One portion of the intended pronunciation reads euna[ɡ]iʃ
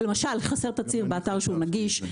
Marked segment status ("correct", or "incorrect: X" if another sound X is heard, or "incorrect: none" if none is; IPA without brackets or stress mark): correct